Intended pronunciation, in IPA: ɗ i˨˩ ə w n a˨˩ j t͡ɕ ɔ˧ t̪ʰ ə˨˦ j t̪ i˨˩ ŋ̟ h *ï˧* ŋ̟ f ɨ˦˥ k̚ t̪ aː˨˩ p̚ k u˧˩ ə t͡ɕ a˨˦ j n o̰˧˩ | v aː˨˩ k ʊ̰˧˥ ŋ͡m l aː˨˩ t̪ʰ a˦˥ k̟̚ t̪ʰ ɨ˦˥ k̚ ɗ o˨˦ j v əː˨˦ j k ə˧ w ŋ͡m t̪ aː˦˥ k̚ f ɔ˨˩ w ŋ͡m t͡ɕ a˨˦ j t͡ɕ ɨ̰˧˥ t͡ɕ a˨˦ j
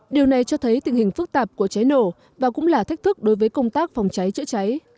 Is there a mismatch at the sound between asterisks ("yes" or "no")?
yes